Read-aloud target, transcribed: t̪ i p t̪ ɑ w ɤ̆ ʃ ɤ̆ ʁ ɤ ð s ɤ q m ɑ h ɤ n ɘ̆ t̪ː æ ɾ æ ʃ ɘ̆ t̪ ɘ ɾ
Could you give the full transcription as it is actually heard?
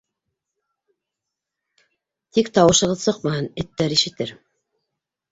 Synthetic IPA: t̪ i k t̪ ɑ w ɤ̆ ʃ ɤ̆ ʁ ɤ ð s ɤ q m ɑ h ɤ n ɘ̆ t̪ː æ ɾ i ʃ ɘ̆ t̪ ɘ ɾ